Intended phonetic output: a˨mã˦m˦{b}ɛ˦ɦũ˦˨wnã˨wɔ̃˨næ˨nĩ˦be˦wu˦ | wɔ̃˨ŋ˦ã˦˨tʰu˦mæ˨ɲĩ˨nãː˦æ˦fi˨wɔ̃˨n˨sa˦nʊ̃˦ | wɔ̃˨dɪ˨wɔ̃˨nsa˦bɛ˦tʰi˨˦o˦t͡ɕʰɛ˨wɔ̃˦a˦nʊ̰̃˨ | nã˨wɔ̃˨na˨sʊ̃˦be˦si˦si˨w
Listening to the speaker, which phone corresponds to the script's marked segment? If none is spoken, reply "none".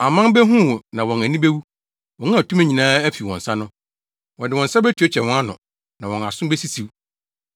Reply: b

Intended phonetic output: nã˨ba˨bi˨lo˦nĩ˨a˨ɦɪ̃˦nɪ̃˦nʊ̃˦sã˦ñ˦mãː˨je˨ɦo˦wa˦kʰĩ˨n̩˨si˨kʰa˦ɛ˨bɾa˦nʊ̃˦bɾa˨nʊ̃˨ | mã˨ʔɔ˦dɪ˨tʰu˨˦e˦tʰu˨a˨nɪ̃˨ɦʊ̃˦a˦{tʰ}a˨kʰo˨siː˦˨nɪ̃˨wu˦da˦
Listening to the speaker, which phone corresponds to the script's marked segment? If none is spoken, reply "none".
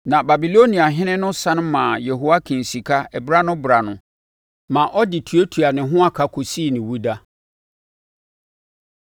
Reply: kʰ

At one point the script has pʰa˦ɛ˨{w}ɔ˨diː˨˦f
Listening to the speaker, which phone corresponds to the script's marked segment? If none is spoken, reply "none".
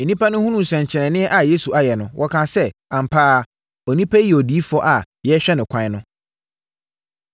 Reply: none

